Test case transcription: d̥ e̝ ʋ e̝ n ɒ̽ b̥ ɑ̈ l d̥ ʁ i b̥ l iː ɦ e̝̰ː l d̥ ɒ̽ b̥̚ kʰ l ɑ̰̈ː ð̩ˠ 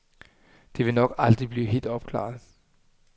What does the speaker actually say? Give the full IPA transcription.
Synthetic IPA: d̥ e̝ ʋ e̝ n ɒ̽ ɡ̥ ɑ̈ l d̥ ʁ i b̥ l iː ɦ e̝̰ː l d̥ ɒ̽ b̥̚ kʰ l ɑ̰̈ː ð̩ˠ